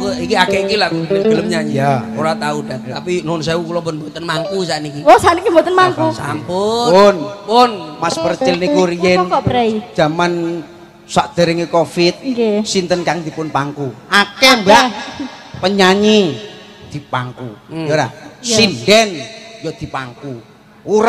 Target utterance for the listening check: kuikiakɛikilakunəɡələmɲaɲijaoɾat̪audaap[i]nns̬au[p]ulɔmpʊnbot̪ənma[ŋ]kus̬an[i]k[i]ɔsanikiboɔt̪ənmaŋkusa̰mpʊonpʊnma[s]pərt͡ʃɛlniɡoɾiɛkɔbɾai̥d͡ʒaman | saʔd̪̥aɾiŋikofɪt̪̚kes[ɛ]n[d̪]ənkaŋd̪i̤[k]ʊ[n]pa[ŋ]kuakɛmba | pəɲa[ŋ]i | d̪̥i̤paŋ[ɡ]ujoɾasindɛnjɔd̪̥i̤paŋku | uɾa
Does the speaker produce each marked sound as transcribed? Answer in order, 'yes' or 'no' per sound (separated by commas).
yes, no, yes, yes, yes, yes, no, no, no, yes, yes, no, no